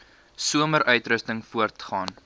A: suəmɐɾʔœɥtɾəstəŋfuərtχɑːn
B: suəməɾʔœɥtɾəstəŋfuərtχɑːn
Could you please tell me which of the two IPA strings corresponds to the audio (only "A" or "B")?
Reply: B